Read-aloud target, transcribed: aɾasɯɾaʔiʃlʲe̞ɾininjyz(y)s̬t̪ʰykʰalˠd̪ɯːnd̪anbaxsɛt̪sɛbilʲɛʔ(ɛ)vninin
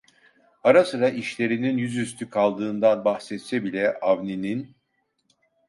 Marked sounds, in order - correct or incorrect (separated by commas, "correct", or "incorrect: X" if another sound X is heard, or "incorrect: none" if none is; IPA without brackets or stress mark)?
correct, incorrect: a